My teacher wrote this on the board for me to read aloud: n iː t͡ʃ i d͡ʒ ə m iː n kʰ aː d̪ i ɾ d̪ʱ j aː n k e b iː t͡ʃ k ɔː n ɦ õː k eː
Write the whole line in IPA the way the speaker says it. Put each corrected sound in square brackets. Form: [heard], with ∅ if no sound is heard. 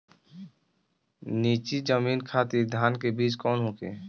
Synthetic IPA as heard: n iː t͡ʃ i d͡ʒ ə m iː n kʰ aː [t̪] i ɾ d̪ʱ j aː n k e b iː t͡ʃ k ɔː n ɦ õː k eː